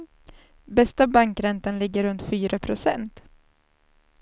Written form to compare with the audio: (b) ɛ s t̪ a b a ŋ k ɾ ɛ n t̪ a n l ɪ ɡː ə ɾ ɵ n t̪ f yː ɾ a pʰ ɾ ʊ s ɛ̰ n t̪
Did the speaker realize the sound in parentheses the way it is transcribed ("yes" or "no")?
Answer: yes